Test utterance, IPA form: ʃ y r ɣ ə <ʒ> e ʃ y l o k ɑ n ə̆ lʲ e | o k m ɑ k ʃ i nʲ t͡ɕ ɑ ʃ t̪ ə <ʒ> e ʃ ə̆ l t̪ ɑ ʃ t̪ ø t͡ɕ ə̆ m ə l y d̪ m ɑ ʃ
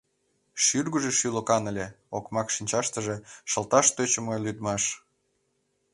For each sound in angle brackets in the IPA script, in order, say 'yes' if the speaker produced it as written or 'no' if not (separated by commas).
yes, yes